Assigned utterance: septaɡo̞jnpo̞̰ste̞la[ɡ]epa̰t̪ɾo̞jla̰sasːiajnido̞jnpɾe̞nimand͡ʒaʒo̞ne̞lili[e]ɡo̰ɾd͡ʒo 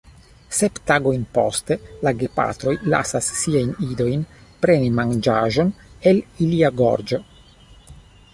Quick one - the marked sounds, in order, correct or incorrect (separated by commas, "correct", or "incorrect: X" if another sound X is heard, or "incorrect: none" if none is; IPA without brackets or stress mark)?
correct, incorrect: a